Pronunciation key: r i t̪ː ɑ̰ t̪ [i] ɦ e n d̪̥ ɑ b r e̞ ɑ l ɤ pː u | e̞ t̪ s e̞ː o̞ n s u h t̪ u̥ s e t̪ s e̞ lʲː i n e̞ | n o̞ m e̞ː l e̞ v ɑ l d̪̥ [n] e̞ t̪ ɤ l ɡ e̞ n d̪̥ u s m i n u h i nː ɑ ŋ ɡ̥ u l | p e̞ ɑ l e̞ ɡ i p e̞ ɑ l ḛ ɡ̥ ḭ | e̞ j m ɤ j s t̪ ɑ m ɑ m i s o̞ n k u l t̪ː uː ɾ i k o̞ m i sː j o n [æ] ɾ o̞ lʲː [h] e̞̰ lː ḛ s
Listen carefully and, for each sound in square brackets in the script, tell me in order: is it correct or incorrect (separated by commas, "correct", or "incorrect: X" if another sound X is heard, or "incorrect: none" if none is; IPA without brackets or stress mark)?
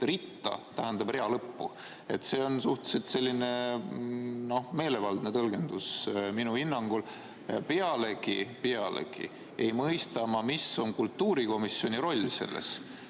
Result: incorrect: æ, correct, incorrect: i, incorrect: s